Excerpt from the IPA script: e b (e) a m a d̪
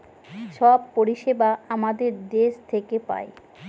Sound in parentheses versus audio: incorrect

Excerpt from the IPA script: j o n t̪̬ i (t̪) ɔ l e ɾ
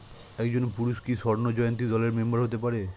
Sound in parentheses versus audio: incorrect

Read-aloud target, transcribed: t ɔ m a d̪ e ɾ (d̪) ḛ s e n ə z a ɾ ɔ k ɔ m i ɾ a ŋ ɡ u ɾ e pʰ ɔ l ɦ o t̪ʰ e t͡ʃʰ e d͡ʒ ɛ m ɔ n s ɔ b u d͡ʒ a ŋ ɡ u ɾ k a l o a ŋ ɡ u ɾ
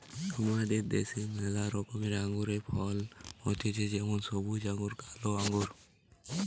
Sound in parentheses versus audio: correct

